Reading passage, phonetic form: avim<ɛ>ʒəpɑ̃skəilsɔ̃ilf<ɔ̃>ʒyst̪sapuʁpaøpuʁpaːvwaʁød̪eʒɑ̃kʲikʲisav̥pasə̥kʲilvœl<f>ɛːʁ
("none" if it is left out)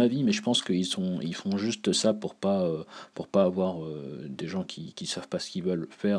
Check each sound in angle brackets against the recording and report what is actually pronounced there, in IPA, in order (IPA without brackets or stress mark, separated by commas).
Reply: ɛ, ɔ̃, f